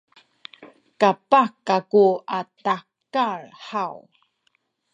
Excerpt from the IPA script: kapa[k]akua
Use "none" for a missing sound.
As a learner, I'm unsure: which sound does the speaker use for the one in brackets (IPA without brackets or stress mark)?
k